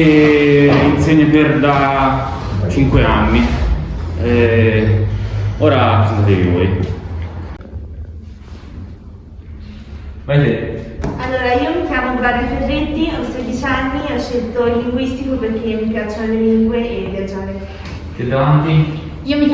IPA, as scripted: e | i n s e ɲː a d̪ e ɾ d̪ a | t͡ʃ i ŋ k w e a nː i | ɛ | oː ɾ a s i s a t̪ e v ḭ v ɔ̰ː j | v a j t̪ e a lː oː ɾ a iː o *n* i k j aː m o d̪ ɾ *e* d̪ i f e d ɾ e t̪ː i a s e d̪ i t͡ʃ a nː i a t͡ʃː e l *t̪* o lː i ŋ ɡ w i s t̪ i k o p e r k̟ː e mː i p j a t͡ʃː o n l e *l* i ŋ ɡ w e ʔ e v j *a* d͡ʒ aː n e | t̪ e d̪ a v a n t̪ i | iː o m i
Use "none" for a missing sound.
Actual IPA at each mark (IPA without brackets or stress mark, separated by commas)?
m, a, t̪, l, a